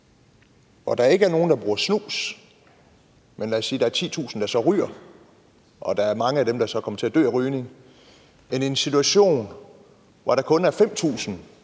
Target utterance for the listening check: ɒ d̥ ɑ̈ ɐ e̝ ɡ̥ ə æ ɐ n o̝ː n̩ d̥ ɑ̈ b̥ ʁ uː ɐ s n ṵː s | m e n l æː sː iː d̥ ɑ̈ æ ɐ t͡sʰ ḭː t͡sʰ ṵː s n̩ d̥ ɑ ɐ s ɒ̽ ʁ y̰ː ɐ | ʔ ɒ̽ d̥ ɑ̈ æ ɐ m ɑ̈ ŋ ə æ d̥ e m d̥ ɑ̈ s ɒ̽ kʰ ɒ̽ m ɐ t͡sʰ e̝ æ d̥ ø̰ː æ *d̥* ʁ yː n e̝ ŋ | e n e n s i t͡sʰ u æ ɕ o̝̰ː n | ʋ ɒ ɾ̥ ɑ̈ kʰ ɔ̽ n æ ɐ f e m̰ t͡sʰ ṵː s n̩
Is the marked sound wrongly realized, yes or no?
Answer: yes